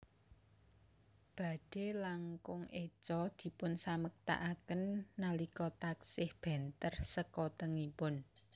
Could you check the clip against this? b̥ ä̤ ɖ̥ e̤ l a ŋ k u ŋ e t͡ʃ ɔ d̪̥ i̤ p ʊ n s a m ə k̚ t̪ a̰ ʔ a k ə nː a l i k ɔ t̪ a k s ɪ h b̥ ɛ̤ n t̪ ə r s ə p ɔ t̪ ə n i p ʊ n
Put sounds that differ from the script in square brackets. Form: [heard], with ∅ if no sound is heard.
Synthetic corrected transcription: b̥ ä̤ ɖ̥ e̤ l a ŋ k [ʊ] ŋ e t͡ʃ ɔ d̪̥ i̤ p ʊ n s a m ə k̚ t̪ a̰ ʔ a k ə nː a l i k ɔ t̪ a k s ɪ h b̥ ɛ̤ n t̪ ə r s ə [k] ɔ t̪ ə [ŋ] i p ʊ n